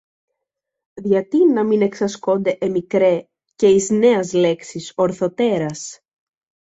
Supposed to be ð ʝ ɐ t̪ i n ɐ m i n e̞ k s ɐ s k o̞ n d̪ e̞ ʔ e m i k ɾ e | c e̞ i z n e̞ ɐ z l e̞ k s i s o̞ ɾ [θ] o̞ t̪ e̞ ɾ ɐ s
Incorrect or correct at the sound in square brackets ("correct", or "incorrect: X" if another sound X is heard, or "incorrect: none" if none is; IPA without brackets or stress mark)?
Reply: correct